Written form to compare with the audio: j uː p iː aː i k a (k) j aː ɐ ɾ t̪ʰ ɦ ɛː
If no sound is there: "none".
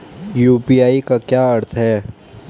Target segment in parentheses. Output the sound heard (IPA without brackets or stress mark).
k